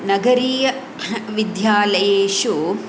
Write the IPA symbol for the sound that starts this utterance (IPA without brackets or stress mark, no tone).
n